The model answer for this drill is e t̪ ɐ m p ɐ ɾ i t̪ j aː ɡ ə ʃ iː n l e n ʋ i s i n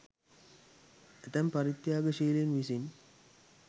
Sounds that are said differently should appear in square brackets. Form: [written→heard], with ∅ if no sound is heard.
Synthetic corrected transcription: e t̪ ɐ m p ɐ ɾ i t̪ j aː ɡ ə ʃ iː [n→∅] l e n ʋ i s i n